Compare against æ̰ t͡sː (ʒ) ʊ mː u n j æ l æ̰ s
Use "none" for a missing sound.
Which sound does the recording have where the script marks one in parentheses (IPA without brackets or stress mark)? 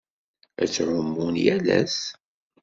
ʕ